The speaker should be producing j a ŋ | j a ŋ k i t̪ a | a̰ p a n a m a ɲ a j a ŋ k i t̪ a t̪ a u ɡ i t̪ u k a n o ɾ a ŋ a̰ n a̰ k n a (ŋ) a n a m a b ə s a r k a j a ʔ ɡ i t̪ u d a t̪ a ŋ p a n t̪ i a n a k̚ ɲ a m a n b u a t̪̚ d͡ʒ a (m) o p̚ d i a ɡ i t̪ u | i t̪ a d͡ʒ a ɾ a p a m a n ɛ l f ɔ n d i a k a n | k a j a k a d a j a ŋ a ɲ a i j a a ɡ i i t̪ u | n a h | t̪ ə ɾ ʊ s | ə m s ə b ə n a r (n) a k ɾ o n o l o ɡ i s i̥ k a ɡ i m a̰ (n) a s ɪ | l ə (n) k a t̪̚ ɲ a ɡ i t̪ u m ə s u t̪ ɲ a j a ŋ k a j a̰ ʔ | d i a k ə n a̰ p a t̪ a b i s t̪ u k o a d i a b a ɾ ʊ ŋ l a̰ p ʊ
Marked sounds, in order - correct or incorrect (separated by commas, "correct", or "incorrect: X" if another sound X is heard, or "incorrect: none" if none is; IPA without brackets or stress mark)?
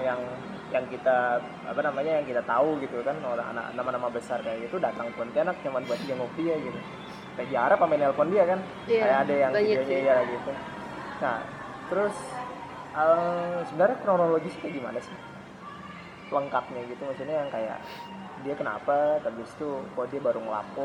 incorrect: m, incorrect: ŋ, incorrect: ɲ, correct, incorrect: ŋ